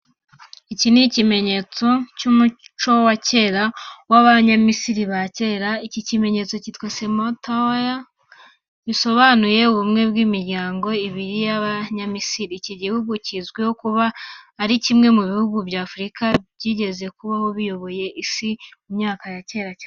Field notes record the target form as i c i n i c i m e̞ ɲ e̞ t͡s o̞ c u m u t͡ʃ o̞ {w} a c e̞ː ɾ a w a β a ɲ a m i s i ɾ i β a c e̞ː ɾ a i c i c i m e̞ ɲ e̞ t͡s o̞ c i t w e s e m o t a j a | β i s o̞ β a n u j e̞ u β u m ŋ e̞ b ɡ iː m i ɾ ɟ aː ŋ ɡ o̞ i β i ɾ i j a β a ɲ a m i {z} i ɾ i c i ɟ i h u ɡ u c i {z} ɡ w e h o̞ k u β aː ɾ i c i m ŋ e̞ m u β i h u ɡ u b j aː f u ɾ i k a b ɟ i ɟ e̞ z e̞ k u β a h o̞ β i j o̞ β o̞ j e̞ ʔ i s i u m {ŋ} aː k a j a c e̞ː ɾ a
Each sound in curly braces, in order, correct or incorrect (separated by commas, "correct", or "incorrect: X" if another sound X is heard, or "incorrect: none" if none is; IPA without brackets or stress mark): correct, incorrect: s, correct, incorrect: ɲ